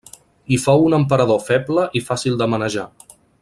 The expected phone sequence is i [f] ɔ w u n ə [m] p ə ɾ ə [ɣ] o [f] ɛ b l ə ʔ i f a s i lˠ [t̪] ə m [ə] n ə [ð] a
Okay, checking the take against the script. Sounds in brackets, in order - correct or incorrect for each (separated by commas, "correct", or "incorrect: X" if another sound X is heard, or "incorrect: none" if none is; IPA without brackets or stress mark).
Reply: correct, correct, incorrect: ð, correct, incorrect: d̪, correct, incorrect: ʒ